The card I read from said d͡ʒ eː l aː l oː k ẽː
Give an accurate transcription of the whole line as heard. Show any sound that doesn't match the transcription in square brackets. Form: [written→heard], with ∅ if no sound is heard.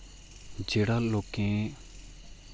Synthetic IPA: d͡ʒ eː [l→ɽ] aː l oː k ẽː